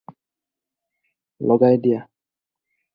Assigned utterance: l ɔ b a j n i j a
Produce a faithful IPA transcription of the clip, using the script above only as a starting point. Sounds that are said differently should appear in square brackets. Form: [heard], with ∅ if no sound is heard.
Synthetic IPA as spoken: l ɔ [ɡ] a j [d] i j a